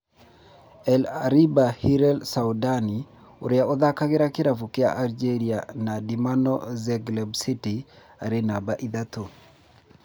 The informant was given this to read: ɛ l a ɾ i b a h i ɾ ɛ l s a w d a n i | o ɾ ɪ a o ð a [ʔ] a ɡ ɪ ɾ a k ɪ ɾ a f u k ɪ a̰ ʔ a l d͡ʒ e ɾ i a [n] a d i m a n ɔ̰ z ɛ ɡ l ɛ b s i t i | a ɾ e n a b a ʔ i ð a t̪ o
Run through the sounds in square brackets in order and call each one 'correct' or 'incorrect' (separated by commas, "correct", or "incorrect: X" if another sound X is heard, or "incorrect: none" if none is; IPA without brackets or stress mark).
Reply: incorrect: k, correct